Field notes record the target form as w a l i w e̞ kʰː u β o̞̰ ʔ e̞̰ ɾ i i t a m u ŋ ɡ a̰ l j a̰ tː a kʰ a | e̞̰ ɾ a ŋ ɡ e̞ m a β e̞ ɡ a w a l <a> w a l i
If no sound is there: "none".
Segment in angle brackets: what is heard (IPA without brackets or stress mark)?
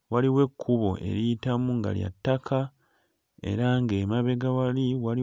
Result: i